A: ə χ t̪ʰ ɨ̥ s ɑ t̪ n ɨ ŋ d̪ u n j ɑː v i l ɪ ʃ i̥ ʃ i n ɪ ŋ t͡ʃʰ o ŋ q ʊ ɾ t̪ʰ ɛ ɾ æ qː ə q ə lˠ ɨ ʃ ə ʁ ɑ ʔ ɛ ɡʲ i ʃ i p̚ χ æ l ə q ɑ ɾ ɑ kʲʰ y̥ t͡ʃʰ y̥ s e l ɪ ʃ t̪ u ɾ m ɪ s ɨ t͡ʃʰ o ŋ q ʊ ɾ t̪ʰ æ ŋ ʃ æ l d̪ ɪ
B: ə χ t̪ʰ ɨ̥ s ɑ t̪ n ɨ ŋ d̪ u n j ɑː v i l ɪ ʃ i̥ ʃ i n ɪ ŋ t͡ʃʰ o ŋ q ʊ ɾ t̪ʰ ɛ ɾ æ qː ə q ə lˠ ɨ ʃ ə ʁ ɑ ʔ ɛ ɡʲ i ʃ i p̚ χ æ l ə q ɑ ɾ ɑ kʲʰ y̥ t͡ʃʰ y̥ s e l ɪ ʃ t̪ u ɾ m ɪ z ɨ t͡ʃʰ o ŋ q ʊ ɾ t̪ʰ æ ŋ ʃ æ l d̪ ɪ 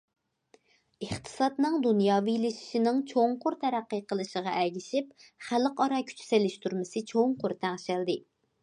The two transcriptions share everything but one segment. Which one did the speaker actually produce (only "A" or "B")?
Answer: A